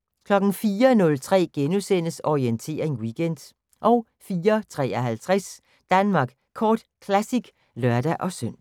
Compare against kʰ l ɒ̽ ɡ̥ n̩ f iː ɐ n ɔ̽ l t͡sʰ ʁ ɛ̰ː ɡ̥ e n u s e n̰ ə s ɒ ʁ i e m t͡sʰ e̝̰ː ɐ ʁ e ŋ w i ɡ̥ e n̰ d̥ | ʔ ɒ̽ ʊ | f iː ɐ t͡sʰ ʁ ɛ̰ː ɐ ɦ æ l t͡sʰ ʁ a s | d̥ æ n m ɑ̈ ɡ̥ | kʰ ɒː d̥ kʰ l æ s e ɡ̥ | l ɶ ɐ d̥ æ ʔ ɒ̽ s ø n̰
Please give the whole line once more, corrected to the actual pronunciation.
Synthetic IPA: kʰ l ɒ̽ ɡ̥ n̩ f iː ɐ n ɔ̽ l t͡sʰ ʁ ɛ̰ː ɡ̥ e n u s e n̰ ə s ɒ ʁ i e n t͡sʰ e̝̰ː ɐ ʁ e ŋ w i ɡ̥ e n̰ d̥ | ʔ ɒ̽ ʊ | f iː ɐ t͡sʰ ʁ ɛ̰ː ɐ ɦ æ l t͡sʰ ʁ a s | d̥ æ n m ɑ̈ ɡ̥ | kʰ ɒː d̥ kʰ l æ s i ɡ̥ | l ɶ ɐ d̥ æ ʔ ɒ̽ s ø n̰

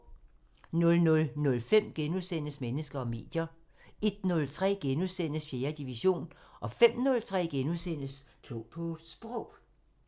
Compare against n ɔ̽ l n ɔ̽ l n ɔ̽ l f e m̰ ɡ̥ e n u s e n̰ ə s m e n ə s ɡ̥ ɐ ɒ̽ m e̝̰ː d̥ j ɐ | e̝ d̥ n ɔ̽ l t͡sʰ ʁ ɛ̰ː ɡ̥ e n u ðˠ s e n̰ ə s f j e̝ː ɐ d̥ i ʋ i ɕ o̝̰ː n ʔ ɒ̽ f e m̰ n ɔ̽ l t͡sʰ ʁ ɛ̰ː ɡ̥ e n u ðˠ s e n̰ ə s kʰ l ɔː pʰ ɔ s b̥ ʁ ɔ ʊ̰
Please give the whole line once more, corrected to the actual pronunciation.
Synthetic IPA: n ɔ̽ l n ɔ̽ l n ɔ̽ l f e m̰ ɡ̥ e n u s e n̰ ə s m e n ə s ɡ̥ ɐ ɒ̽ m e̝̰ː d̥ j ɐ | e̝ d̥ n ɔ̽ l t͡sʰ ʁ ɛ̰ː ɡ̥ e n u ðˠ s e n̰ ə s f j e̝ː ɐ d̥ i ʋ i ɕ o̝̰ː n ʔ ɒ̽ f e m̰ n ɔ̽ l t͡sʰ ʁ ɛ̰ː ɡ̥ e n u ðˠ s e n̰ ə s kʰ l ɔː pʰ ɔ s b̥ ʁ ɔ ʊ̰

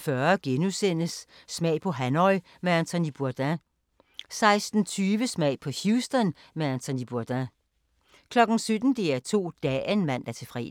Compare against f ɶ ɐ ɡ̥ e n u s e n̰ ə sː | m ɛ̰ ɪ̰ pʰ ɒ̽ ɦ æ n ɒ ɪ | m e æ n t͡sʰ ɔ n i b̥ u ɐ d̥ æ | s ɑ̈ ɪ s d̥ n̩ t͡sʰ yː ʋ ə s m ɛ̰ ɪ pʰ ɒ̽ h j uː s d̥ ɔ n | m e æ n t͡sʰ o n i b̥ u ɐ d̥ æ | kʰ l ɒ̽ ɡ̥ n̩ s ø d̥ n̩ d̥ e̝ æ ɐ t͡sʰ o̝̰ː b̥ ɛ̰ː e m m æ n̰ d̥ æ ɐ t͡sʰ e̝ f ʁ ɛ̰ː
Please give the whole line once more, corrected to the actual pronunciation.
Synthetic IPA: f ɶ ɐ ɡ̥ e n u s e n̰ ə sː | m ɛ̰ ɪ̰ pʰ ɒ̽ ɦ æ n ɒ ɪ | m e æ n t͡sʰ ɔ n i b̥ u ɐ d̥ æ | s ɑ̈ ɪ s d̥ n̩ t͡sʰ yː ʋ ə s m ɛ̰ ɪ pʰ ɒ̽ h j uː s d̥ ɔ n | m e æ n t͡sʰ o n i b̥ u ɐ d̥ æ | kʰ l ɒ̽ ɡ̥ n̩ s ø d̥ n̩ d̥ e̝ æ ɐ t͡sʰ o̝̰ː d̥ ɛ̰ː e n m æ n̰ d̥ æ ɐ t͡sʰ e̝ f ʁ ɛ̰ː

